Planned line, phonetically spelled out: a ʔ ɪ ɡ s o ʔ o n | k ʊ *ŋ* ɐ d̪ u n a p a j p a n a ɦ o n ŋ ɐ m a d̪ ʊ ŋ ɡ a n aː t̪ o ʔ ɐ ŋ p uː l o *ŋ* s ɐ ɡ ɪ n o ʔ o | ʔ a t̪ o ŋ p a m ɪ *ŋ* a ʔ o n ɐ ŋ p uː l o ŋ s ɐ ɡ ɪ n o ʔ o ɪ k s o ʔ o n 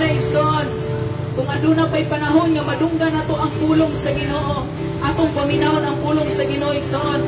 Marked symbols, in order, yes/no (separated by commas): yes, yes, no